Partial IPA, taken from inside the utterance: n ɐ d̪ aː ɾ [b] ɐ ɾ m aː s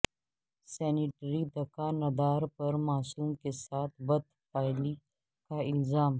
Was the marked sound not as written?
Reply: yes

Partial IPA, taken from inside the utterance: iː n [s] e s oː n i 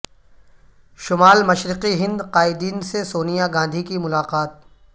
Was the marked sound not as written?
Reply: no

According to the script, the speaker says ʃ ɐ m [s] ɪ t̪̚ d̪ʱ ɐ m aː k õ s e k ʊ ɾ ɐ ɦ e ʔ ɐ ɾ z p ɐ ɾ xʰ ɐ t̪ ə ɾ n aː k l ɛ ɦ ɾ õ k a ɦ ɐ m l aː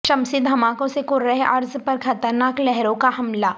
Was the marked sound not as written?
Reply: no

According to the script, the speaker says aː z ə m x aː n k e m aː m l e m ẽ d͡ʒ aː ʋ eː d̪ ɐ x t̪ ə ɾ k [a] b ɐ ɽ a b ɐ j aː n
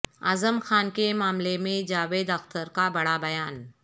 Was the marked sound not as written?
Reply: no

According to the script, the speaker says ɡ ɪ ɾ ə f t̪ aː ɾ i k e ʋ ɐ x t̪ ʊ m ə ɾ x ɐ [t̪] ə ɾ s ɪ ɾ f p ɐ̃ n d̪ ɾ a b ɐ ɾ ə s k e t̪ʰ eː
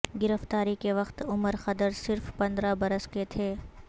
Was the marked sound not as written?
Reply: yes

